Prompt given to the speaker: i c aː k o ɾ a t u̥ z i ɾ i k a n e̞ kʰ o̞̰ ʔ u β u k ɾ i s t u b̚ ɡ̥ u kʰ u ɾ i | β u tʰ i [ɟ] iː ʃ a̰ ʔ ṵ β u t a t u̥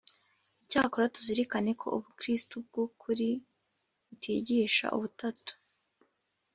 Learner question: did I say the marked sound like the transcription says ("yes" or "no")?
yes